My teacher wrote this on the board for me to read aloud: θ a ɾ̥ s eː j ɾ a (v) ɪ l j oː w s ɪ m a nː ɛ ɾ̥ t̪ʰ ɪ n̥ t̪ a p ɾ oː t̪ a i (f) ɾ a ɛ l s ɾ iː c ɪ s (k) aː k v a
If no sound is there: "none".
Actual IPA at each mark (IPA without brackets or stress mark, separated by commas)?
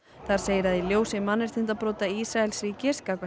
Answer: ð, s, k